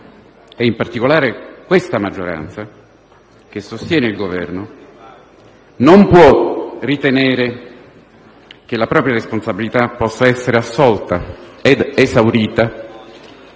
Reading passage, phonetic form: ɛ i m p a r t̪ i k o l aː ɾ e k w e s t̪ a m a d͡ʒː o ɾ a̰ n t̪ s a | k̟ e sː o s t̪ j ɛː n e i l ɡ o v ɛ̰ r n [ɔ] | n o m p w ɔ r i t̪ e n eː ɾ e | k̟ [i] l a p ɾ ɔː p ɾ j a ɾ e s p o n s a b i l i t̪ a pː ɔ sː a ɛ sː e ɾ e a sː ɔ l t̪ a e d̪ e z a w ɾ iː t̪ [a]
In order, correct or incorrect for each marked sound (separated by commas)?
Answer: incorrect, incorrect, correct